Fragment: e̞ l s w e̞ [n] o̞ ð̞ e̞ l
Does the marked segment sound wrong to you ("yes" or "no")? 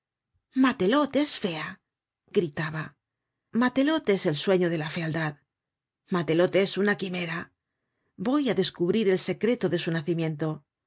yes